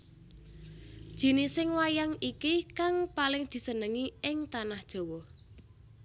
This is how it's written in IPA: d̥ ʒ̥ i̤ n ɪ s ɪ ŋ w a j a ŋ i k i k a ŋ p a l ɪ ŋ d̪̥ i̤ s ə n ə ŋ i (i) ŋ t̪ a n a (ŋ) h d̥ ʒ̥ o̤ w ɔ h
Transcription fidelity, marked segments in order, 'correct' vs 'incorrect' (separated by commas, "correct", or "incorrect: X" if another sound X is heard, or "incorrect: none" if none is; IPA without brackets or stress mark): incorrect: ɪ, incorrect: none